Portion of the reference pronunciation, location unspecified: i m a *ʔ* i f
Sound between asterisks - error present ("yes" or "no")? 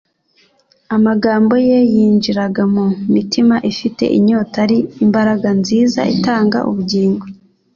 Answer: no